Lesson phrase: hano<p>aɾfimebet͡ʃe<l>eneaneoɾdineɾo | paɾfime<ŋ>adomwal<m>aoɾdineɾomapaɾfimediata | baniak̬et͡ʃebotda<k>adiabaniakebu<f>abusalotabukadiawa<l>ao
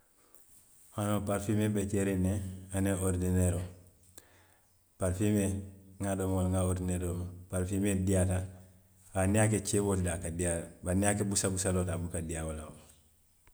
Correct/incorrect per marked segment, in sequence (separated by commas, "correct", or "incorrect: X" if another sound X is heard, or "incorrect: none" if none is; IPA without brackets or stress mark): correct, incorrect: ɾ, correct, incorrect: ŋ, correct, incorrect: s, correct